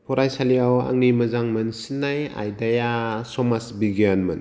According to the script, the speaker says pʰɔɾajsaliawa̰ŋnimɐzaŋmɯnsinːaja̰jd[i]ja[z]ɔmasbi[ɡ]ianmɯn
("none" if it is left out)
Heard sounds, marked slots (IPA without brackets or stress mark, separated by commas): a, s, ɡ